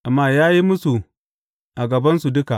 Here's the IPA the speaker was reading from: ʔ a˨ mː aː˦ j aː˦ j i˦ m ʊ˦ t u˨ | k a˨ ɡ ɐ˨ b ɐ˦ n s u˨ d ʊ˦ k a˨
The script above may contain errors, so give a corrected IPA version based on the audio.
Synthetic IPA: ʔ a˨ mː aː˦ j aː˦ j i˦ m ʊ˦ s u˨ | ʔ a˨ ɡ ɐ˨ b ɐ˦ n s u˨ d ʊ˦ k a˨